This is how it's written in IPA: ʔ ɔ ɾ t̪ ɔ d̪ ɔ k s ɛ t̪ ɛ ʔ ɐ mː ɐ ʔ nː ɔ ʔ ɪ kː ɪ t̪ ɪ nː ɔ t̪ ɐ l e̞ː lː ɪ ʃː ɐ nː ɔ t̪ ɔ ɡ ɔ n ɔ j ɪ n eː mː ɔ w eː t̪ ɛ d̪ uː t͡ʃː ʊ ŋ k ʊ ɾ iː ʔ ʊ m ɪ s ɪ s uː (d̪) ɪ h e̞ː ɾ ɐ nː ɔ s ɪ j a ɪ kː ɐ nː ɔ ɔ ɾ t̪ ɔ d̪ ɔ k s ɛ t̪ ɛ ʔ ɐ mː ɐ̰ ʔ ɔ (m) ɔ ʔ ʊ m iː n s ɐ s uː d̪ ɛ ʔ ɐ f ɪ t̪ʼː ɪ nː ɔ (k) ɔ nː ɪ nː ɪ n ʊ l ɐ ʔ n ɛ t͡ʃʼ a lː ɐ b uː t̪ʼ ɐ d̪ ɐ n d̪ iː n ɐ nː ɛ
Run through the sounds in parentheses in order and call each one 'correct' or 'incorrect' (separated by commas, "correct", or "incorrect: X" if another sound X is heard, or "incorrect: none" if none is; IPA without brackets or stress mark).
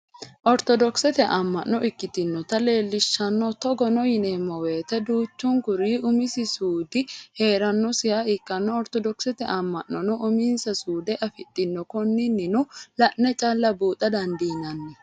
correct, incorrect: n, correct